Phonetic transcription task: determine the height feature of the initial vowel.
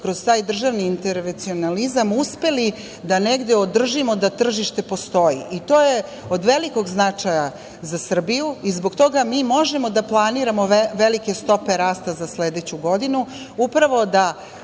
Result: mid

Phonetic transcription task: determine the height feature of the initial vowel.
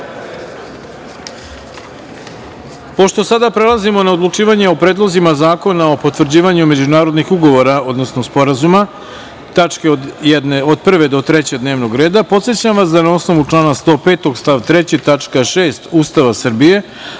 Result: mid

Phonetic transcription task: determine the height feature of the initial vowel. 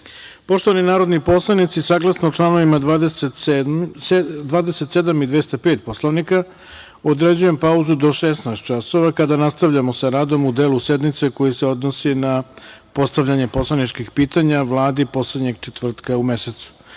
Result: mid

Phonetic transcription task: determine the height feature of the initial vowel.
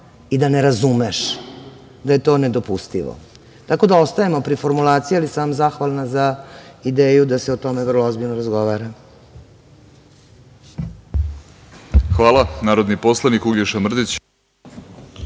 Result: high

